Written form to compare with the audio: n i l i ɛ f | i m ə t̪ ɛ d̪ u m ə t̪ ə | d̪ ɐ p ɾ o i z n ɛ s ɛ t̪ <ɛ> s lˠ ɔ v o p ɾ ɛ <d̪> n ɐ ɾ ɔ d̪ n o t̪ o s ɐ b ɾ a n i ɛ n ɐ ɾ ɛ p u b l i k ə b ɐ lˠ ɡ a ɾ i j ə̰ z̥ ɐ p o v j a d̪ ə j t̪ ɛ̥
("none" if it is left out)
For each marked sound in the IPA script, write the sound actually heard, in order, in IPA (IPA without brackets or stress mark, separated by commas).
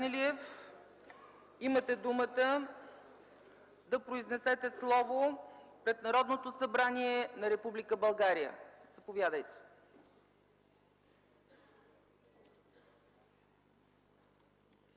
ɛ, t̪